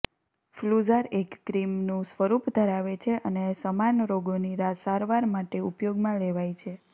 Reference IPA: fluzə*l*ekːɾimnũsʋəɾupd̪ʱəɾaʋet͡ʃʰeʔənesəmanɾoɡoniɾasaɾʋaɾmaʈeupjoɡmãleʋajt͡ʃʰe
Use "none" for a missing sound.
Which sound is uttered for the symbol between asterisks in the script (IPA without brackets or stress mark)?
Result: ɾ